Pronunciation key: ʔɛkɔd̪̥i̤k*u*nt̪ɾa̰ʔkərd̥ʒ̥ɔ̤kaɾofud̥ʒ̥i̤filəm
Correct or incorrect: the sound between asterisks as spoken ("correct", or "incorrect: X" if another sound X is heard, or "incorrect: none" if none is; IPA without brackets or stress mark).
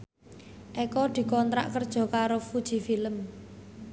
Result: incorrect: ɔ